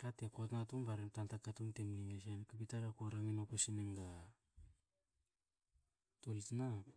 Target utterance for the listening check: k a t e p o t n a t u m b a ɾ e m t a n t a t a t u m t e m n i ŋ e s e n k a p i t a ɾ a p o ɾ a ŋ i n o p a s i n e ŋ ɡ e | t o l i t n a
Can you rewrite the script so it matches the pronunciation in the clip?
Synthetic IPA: k a t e k o t n a t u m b a ɾ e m t a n t a k a t u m t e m n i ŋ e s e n k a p i t a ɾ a k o ɾ a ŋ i n o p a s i n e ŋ ɡ a | t o l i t n a

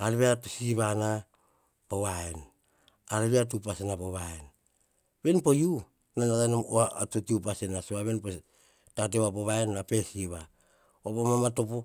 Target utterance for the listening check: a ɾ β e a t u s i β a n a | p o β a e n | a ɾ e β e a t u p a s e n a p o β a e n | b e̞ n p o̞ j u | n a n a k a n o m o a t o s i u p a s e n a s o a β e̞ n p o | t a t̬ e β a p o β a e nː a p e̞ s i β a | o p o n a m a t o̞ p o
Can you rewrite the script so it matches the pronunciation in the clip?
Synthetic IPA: a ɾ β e a t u s i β a n a | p o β a e n | a ɾ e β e a t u p a s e n a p o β a e n | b e̞ n p o̞ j u | n a n a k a n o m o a t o t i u p a s e n a s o a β e̞ n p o | t a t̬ e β a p o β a e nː a p e̞ s i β a | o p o m a m a t o̞ p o

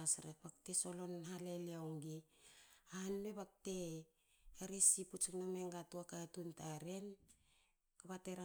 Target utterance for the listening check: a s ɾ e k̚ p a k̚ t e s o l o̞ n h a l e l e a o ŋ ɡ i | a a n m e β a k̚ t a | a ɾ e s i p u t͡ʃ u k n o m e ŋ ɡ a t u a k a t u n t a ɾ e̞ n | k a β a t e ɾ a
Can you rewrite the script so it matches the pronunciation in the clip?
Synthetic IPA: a s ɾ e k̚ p a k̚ t e s o l o̞ n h a l e l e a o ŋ ɡ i | a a n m e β a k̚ t e | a ɾ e s i p u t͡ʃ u k n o m e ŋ ɡ a t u a k a t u n t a ɾ e̞ n | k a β a t e ɾ a

